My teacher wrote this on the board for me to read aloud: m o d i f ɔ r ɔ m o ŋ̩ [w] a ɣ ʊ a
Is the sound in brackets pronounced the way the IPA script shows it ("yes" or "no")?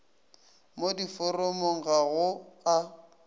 no